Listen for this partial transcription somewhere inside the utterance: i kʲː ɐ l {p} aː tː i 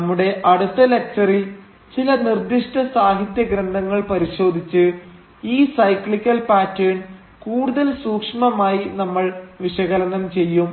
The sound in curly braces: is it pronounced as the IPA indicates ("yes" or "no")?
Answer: yes